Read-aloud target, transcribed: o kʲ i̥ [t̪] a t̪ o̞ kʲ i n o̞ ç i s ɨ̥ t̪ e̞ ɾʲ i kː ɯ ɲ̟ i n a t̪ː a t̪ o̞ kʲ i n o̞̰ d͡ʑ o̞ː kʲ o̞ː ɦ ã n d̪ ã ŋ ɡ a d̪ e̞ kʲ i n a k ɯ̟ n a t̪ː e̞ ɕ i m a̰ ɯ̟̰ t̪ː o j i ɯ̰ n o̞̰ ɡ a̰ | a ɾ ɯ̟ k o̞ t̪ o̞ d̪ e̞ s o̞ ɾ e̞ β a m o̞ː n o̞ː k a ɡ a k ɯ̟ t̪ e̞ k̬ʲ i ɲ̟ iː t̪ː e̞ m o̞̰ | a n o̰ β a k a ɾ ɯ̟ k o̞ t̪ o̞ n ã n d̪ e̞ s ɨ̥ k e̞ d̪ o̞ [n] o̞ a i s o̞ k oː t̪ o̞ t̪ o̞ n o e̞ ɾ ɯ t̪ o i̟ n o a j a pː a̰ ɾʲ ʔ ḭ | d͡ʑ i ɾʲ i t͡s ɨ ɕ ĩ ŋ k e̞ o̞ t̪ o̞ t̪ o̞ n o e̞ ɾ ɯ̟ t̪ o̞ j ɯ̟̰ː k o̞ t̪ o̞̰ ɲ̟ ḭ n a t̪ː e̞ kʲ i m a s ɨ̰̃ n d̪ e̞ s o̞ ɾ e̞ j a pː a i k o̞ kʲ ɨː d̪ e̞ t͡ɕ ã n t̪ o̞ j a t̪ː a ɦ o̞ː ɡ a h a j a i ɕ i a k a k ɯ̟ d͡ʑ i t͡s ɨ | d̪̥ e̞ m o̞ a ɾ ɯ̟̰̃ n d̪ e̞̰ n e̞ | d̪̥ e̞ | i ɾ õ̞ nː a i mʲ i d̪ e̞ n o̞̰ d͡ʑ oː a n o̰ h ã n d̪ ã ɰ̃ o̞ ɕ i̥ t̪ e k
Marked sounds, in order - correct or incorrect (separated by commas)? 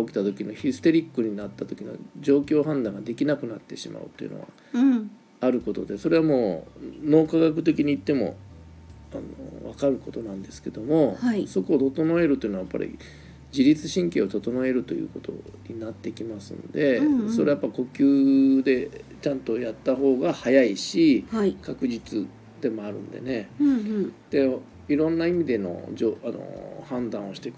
correct, incorrect